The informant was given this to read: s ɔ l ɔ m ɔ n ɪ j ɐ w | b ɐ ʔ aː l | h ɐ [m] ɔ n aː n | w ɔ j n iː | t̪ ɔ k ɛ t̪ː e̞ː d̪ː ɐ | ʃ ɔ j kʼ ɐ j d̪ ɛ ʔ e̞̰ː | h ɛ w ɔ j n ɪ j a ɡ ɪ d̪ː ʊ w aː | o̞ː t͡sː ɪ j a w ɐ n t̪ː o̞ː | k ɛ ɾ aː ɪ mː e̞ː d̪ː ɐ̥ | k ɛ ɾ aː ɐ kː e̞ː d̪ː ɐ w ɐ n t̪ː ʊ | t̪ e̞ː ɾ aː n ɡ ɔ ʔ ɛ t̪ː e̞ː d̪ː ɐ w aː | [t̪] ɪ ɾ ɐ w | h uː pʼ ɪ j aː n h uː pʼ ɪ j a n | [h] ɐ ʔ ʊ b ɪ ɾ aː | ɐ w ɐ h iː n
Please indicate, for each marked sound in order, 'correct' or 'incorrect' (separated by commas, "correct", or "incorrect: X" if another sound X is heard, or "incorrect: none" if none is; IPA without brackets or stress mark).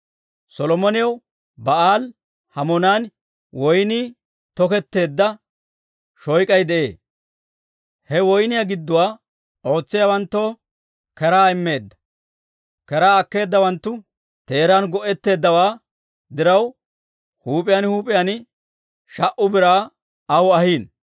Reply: correct, incorrect: d̪, incorrect: ʃ